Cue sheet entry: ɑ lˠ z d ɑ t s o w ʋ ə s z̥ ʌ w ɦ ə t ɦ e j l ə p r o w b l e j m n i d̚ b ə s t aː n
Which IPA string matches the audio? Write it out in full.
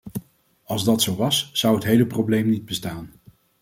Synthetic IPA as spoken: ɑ lˠ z d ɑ t s o w ʋ ɑ s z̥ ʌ w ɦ ə t ɦ e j l ə p r o w b l e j m n i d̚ b ə s t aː n